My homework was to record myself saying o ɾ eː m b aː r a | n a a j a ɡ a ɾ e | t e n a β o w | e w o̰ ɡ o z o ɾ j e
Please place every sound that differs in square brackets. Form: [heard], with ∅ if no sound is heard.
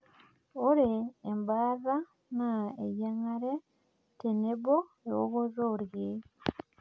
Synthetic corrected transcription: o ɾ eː m b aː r a | n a [e] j a [ŋ] a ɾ e | t e n [e] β o [∅] | e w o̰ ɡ o z o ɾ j e